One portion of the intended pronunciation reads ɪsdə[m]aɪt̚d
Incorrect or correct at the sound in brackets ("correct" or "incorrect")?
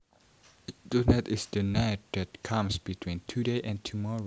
incorrect